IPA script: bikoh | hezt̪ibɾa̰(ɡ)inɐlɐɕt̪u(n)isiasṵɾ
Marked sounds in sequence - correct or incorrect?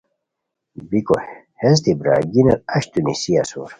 correct, correct

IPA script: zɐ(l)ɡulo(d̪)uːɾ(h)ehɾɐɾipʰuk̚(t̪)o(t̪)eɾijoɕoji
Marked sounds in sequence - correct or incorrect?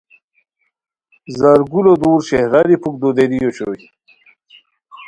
incorrect: ɾ, correct, incorrect: ɕ, incorrect: d̪, incorrect: d̪

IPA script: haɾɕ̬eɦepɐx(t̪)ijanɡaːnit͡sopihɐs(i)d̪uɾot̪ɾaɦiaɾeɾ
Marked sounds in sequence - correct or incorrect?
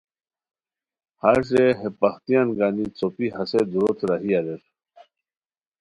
correct, incorrect: e

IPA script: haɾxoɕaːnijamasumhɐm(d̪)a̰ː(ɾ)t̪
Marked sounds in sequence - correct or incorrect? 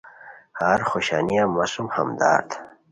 correct, correct

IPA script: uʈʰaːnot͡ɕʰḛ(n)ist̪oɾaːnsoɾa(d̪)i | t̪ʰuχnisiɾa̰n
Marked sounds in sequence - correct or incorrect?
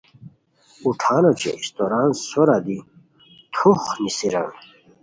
incorrect: none, correct

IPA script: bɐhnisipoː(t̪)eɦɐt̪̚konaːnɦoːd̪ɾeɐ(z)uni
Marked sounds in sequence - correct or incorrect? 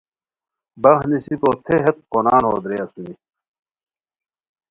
incorrect: t̪ʰ, incorrect: s

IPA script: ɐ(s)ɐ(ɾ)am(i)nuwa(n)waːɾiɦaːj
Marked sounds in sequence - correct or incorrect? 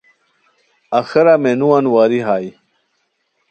incorrect: x, correct, incorrect: e, correct

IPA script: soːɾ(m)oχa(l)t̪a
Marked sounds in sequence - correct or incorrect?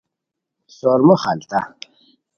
correct, correct

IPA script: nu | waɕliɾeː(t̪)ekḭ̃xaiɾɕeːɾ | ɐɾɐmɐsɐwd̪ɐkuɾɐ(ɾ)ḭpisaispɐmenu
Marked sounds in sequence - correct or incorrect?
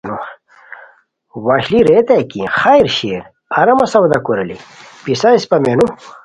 correct, incorrect: l

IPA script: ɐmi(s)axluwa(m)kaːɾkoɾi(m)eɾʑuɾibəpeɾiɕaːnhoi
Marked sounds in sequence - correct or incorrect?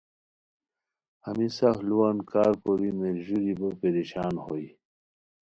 correct, incorrect: n, correct

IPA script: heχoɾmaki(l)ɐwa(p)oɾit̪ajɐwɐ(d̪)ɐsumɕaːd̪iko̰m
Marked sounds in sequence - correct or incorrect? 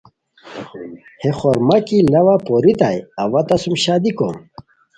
correct, correct, incorrect: t̪

